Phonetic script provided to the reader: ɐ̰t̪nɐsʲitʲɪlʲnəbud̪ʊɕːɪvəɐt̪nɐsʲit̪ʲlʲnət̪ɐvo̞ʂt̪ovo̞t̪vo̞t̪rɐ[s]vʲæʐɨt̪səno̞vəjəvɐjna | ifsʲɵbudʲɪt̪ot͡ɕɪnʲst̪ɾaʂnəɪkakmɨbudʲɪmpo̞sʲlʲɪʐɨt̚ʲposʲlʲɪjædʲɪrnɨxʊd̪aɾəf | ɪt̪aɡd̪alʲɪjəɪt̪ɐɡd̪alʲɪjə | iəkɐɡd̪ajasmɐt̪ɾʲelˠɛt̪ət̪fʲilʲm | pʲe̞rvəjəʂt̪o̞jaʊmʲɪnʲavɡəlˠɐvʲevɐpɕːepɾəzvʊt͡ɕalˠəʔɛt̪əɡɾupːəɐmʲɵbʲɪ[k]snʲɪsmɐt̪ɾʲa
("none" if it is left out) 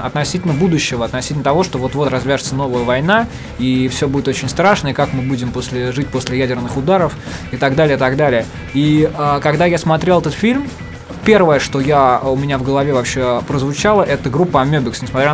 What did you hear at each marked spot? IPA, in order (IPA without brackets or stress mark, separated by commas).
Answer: z, k